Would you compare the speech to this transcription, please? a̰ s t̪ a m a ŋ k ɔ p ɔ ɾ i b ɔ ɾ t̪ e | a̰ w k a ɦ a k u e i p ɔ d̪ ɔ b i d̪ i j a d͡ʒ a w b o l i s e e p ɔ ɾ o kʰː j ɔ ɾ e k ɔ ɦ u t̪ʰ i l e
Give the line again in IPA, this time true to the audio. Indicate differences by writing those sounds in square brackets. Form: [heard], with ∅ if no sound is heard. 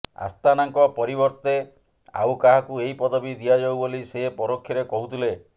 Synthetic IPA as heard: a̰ s t̪ a [n] a ŋ k ɔ p ɔ ɾ i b ɔ ɾ t̪ e | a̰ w k a ɦ a k u e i p ɔ d̪ ɔ b i d̪ i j a d͡ʒ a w b o l i s e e p ɔ ɾ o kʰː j ɔ ɾ e k ɔ ɦ u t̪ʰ i l e